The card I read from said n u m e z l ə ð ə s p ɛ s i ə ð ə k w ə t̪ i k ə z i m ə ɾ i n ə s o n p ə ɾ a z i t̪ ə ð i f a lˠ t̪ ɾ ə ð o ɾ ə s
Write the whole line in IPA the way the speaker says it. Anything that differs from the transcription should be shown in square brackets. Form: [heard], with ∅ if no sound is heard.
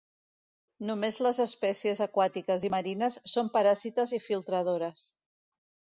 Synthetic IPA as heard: n u m e z l ə [z] ə s p ɛ s i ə [z] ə k w [a] t̪ i k ə z i m ə ɾ i n ə [sː] o [m] p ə ɾ a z i t̪ ə [z] i f [i] lˠ t̪ ɾ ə ð o ɾ ə s